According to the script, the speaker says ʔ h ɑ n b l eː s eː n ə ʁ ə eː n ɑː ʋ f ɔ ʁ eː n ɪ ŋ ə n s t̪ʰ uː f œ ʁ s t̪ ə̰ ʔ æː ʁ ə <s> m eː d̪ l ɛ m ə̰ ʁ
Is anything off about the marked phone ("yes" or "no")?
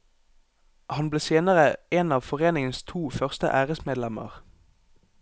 no